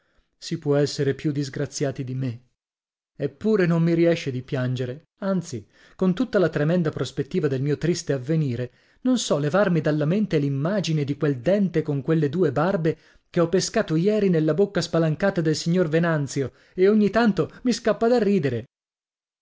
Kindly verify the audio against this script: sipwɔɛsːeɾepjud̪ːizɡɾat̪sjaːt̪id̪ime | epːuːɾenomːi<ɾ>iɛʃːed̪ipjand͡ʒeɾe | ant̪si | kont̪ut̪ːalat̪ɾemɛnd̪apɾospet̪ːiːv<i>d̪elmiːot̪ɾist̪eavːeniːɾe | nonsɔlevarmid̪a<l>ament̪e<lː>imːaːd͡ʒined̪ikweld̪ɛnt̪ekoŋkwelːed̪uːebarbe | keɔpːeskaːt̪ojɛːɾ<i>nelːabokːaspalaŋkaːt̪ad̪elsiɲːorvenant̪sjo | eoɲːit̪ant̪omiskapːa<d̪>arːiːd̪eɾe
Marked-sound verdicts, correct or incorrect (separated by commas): correct, incorrect, incorrect, incorrect, correct, correct